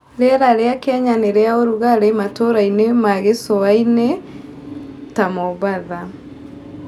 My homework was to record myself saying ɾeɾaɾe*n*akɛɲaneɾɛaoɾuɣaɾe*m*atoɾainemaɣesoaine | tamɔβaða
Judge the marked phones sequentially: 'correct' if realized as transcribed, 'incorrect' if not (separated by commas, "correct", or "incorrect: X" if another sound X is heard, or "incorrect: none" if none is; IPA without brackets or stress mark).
incorrect: none, correct